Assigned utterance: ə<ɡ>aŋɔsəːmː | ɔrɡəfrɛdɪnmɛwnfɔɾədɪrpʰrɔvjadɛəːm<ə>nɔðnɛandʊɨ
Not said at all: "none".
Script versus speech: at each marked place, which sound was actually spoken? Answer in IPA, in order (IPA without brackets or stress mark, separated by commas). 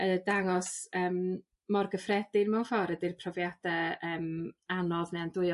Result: d, a